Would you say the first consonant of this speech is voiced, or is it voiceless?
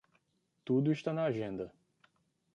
voiceless